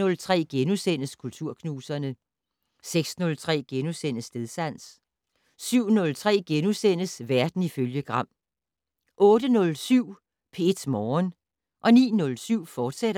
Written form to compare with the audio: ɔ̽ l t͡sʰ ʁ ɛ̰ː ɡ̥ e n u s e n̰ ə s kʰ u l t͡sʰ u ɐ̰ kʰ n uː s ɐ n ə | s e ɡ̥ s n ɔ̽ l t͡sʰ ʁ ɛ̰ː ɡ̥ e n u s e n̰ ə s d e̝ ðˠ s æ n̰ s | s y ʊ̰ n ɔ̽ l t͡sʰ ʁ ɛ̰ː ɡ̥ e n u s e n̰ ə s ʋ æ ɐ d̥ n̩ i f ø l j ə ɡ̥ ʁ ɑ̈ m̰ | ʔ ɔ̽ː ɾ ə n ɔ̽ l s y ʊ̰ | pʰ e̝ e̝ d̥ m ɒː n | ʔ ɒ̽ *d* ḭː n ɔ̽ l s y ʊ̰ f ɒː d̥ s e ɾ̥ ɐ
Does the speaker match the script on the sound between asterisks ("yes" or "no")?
no